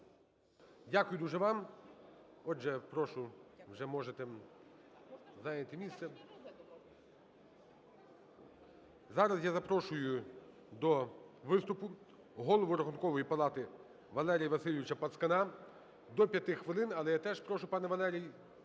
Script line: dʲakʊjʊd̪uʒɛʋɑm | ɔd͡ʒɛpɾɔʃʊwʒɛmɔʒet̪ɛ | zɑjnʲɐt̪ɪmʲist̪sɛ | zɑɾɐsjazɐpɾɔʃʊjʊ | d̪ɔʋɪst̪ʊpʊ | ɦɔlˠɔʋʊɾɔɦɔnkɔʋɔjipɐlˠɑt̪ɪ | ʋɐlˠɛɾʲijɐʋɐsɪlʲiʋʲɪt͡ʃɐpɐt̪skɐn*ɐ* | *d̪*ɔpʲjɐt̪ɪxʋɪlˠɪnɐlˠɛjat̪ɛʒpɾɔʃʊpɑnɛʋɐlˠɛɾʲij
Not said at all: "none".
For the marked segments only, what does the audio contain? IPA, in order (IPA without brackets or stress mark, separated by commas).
ɑ, d̪